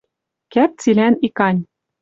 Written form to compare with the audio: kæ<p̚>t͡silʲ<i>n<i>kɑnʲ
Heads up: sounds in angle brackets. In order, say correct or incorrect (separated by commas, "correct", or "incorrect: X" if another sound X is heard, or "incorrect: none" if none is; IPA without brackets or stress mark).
correct, incorrect: æ, correct